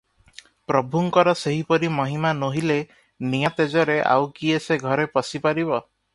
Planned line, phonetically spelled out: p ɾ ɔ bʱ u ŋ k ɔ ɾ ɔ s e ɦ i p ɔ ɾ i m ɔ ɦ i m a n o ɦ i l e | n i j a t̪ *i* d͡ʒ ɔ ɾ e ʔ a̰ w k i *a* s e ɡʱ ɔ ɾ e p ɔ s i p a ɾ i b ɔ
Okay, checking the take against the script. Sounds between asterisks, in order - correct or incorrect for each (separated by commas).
incorrect, incorrect